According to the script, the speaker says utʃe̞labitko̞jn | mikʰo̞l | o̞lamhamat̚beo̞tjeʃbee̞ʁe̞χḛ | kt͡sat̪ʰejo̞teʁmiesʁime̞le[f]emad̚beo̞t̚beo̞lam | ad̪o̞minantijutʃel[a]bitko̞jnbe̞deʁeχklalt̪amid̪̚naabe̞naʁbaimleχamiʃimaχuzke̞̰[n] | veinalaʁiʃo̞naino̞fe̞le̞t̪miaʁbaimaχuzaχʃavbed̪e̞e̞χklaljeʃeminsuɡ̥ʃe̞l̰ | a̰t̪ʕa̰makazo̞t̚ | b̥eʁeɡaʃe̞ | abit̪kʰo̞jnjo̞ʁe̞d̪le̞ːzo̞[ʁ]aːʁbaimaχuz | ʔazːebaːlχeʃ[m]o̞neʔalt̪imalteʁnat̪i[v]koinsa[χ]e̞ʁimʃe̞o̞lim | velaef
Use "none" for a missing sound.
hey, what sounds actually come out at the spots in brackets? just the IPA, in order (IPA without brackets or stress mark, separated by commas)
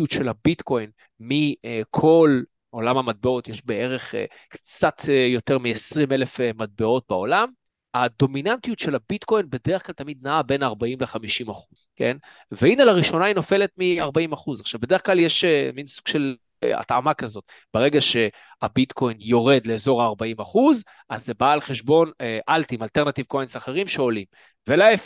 f, a, n, ʁ, b, v, χ